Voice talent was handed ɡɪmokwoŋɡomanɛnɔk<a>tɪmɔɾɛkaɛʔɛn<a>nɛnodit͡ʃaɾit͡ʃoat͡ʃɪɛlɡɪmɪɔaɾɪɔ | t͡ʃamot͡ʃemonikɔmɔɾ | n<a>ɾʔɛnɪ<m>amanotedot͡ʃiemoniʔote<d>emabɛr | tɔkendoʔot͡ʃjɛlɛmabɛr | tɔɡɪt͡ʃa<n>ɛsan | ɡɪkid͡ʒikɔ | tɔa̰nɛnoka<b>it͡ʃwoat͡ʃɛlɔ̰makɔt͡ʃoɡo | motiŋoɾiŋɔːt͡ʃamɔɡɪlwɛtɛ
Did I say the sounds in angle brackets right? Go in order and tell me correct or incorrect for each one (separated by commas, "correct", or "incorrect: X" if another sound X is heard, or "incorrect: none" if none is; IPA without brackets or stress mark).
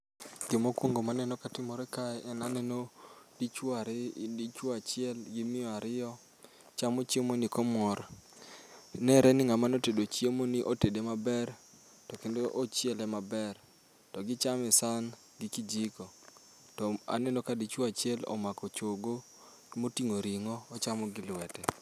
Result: correct, correct, incorrect: ɛ, incorrect: ŋ, correct, incorrect: m, incorrect: d